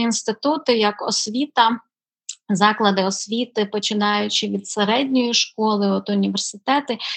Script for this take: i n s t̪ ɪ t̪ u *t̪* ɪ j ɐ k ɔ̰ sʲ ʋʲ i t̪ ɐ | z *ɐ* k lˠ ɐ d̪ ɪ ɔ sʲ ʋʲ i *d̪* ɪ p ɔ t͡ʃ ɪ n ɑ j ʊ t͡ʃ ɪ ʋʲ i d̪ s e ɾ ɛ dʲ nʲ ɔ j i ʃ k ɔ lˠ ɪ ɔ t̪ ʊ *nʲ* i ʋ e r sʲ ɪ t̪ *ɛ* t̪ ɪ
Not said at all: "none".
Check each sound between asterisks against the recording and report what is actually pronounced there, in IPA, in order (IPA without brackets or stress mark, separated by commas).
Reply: t̪, ɑ, t̪, nʲ, ɛ